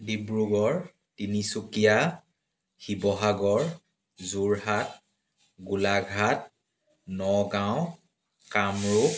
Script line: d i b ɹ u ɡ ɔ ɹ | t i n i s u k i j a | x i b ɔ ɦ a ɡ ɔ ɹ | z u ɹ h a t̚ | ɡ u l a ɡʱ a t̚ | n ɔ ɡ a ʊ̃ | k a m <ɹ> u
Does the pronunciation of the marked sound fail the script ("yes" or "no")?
no